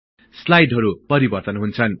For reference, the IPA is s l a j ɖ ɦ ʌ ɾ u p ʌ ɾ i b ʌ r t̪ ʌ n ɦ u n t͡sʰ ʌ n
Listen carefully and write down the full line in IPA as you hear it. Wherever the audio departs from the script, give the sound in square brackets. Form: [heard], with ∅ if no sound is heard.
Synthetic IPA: s l a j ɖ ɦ ʌ ɾ u p ʌ ɾ i b ʌ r t̪ ʌ n ɦ u n t͡sʰ ʌ n